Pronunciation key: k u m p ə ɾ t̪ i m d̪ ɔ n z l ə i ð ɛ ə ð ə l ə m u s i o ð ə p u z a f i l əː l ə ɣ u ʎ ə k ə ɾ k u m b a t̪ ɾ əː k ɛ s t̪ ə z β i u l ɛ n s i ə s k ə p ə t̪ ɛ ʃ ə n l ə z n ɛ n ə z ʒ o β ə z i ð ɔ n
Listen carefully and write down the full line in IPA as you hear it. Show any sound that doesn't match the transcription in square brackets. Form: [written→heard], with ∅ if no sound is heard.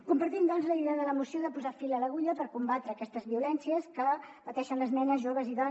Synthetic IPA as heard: k u m p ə ɾ t̪ i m d̪ ɔ n z l ə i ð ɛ ə ð ə l ə m u s i o ð ə p u z a f i l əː l ə ɣ u ʎ ə [k→p] ə ɾ k u m b a t̪ ɾ əː k ɛ s t̪ ə z β i u l ɛ n s i ə s k ə p ə t̪ ɛ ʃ ə n l ə z n ɛ n ə z ʒ o β ə z i ð ɔ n